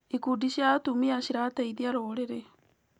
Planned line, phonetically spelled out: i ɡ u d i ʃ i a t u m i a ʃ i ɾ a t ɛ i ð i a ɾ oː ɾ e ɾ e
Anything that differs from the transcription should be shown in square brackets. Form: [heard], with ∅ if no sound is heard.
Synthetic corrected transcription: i [k] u d i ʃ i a t u m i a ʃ i ɾ a t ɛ i ð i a ɾ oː ɾ e ɾ e